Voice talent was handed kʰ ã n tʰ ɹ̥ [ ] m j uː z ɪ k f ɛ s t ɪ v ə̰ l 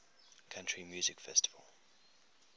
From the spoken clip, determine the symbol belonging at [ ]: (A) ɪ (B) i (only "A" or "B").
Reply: B